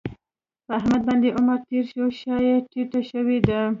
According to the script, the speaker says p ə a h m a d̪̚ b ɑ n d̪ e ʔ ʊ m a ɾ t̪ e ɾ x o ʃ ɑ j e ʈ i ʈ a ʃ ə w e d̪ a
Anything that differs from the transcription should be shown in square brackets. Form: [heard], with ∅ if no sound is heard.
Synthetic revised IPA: p ə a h m a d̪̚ b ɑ n d̪ e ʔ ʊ m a ɾ t̪ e ɾ [ʃ] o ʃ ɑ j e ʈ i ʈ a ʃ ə w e d̪ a